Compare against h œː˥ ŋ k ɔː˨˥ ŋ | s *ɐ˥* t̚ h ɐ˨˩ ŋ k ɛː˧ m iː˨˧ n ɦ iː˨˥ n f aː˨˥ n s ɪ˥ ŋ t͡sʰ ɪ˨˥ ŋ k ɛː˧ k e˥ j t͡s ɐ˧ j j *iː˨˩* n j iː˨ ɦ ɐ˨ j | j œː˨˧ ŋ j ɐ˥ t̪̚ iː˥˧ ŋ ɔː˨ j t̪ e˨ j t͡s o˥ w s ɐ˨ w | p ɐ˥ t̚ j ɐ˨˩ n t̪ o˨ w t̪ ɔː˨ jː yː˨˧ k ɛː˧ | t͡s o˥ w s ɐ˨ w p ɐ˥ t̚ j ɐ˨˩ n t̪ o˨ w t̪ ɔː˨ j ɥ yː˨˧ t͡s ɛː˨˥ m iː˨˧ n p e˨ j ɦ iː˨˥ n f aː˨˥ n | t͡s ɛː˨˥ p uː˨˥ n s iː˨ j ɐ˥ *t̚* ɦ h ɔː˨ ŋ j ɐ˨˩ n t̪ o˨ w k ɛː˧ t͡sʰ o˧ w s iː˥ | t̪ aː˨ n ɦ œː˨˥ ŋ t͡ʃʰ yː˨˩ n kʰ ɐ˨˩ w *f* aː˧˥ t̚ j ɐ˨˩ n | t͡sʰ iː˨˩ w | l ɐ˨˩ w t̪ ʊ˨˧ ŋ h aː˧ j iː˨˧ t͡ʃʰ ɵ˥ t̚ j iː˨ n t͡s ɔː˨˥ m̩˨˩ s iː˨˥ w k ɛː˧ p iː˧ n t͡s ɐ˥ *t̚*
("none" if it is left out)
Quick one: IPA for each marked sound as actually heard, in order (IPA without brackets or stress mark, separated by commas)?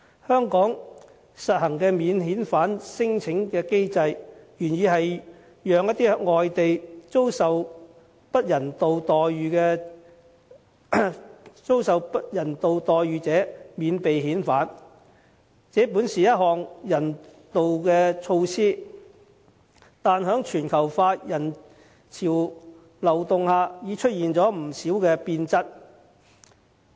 ɐ˨, yː˨˩, t̚, f, t̚